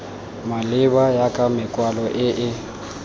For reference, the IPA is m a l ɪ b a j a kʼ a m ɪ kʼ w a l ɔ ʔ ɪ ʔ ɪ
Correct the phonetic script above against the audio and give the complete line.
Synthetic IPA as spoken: m a l ɪ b a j a kʼ a m ɪ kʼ w a l ɔ ʔ ɪ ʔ ɪ